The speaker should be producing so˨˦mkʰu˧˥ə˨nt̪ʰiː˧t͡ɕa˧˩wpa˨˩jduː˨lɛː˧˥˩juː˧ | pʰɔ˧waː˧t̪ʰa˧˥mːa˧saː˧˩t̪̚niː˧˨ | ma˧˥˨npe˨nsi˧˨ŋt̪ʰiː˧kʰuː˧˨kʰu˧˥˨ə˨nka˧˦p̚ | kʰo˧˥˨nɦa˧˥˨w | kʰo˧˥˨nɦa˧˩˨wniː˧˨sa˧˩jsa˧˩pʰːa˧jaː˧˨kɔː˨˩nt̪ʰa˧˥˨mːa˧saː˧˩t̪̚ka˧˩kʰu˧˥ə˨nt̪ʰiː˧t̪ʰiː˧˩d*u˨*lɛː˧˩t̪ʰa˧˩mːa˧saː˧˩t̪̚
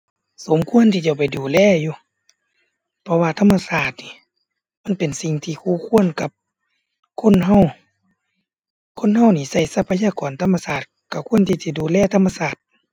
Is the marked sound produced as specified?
no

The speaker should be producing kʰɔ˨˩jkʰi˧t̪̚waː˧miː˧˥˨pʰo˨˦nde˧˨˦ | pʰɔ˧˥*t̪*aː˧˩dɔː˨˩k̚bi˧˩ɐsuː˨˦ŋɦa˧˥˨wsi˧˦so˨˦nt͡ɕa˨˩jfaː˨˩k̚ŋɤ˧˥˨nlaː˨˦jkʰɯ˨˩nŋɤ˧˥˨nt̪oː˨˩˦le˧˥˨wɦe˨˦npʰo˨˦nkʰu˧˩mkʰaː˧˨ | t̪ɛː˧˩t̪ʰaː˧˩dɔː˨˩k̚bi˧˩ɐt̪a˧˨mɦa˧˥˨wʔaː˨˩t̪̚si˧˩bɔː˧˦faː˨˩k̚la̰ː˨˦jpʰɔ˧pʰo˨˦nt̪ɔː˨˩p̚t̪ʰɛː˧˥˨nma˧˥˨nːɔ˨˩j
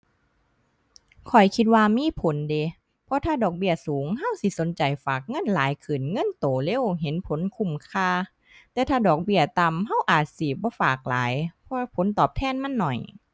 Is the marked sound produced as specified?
no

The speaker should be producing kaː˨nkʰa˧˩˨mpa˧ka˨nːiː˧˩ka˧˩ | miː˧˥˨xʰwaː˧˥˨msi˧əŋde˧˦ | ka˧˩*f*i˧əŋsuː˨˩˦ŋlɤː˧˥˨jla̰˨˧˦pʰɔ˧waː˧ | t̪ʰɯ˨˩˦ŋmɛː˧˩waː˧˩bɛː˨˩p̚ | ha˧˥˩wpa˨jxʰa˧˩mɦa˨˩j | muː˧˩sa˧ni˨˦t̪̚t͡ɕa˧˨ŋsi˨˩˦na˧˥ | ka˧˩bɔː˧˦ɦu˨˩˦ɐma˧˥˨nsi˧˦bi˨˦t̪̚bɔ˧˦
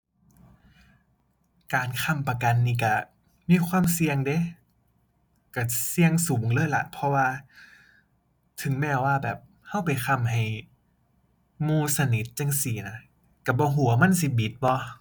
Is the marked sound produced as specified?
no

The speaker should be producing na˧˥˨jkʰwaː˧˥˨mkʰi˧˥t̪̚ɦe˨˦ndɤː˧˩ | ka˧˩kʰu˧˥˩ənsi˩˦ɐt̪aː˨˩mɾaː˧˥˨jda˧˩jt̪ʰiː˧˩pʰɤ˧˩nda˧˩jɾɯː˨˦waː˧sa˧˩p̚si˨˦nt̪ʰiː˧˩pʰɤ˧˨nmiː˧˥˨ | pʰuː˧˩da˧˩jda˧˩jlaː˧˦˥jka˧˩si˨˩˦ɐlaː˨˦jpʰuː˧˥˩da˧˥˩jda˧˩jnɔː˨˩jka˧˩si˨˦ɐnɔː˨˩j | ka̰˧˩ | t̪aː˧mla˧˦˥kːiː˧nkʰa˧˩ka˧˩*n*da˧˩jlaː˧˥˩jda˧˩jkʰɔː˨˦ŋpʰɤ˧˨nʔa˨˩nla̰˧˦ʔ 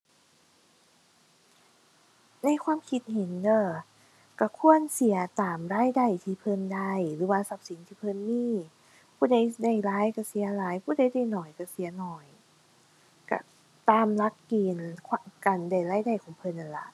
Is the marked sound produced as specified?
yes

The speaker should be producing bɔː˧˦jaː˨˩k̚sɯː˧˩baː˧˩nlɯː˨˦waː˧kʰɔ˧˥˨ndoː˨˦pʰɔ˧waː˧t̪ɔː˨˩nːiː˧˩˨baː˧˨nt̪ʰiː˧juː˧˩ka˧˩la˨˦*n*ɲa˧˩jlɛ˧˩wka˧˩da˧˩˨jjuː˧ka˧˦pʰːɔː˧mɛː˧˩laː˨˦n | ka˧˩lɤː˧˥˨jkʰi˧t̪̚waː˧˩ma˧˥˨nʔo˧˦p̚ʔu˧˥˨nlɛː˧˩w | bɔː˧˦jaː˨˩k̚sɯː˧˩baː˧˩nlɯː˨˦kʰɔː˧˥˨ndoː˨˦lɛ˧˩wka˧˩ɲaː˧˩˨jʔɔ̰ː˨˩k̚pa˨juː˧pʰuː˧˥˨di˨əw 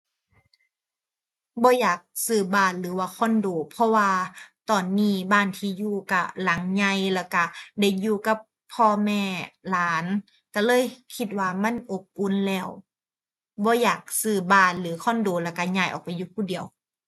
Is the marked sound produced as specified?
no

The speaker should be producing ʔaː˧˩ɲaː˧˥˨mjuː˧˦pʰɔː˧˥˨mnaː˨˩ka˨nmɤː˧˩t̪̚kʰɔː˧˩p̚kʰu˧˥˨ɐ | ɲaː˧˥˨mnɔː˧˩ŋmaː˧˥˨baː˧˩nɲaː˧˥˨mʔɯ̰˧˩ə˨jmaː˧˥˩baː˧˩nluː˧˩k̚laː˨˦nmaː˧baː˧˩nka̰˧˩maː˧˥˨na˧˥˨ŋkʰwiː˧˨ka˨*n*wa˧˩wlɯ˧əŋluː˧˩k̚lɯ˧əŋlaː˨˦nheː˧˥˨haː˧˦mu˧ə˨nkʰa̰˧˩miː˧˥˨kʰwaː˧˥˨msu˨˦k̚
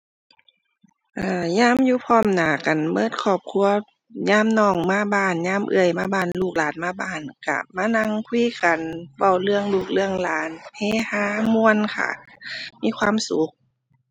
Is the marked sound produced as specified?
yes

